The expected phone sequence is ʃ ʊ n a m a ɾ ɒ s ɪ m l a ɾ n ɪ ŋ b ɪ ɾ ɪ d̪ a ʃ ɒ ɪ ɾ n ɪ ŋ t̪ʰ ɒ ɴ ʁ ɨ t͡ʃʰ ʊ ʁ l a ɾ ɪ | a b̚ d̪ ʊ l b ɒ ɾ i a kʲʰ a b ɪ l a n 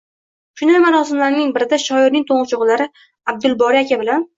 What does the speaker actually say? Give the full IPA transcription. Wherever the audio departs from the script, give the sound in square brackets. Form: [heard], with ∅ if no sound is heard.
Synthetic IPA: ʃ ʊ n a m a ɾ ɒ s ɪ m l a ɾ n ɪ ŋ b ɪ ɾ ɪ d̪ a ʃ ɒ ɪ ɾ n ɪ ŋ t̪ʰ [o] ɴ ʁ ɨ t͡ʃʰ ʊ ʁ l a ɾ ɪ | a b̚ d̪ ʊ l b ɒ ɾ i a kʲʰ a b ɪ l a n